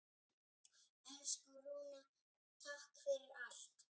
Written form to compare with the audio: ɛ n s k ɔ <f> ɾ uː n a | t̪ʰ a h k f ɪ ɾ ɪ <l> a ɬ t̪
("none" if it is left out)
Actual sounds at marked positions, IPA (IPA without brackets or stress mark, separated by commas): none, ɾ